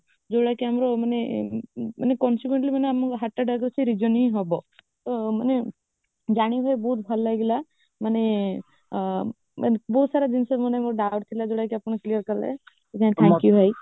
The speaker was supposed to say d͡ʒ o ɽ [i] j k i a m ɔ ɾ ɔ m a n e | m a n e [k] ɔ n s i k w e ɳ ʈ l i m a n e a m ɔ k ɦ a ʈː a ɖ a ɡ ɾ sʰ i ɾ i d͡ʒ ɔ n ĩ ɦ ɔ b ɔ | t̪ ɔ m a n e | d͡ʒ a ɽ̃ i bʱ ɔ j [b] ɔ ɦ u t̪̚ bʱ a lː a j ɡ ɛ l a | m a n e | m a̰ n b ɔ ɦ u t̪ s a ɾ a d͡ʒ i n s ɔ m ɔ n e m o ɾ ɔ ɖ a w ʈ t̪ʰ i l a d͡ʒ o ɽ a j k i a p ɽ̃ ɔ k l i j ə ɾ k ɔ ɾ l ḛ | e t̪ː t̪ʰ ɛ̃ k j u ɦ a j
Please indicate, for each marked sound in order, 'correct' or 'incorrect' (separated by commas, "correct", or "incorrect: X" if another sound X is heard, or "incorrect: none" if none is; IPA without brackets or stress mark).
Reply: incorrect: a, correct, correct